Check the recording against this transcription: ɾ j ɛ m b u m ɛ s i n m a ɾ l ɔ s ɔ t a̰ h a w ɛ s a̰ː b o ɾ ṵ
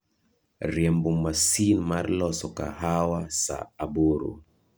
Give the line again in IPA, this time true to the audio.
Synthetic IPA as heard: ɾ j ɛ m b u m a s i n m a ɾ l ɔ s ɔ k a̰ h a w a s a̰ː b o ɾ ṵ